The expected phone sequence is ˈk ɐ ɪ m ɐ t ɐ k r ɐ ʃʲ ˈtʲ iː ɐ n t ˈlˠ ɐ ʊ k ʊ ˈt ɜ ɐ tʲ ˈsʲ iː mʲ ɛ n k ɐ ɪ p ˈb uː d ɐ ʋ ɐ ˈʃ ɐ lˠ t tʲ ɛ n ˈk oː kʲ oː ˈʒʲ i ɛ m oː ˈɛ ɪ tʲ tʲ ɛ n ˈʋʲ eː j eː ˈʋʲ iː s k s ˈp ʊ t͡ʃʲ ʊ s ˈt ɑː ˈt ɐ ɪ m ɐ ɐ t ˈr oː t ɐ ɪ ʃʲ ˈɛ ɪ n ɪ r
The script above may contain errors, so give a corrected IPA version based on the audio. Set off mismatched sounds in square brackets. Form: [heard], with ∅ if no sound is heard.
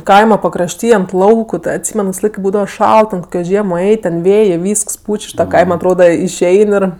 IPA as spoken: ˈk ɐ ɪ m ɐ [p] ɐ k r ɐ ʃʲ ˈtʲ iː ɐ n t ˈlˠ ɐ ʊ k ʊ ˈt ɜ ɐ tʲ ˈsʲ iː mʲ ɛ n k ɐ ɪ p ˈb uː d ɐ ʋ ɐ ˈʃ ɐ lˠ t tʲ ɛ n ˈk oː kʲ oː ˈʒʲ i ɛ m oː ˈɛ ɪ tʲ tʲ ɛ n ˈʋʲ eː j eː ˈʋʲ iː s k s ˈp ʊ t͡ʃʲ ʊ [ʃ] ˈt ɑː [ˈk] ɐ ɪ m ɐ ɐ t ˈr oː [d] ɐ ɪ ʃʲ ˈɛ ɪ n ɪ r